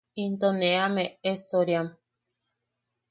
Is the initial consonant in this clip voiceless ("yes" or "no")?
no